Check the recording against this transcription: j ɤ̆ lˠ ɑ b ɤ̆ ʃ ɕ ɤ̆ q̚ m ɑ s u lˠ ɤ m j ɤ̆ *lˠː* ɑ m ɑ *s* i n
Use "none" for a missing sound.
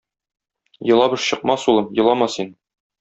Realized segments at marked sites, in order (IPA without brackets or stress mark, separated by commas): lˠ, s